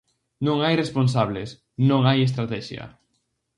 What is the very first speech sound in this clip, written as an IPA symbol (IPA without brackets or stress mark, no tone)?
n